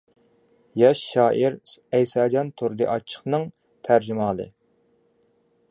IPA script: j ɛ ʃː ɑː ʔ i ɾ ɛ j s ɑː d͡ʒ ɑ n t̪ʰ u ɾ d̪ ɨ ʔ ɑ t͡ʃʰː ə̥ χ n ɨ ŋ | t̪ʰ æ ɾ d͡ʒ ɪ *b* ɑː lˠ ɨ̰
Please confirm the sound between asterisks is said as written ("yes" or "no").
no